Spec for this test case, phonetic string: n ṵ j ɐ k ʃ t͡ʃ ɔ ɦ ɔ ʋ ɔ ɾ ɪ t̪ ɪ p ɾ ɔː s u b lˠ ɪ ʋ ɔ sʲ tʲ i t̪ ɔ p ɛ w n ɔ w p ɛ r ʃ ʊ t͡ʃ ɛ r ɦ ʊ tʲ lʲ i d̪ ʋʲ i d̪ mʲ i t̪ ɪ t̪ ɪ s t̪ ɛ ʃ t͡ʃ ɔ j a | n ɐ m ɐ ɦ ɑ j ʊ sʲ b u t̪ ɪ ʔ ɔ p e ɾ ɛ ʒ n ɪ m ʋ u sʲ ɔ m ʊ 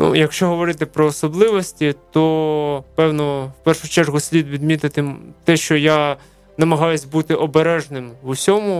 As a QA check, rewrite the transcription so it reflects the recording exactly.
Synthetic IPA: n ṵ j ɐ k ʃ t͡ʃ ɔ ɦ ɔ ʋ ɔ ɾ ɪ t̪ ɪ p ɾ ɔː s ɔ b lˠ ɪ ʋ ɔ sʲ tʲ i t̪ ɔ p ɛ w n ɔ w p ɛ r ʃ ʊ t͡ʃ ɛ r ɦ ʊ sʲ lʲ i d̪ ʋʲ i d̪ mʲ i t̪ ɪ t̪ ɪ t̪ ɛ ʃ t͡ʃ ɔ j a | n ɐ m ɐ ɦ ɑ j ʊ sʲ b u t̪ ɪ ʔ ɔ b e ɾ ɛ ʒ n ɪ m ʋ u sʲ ɔ m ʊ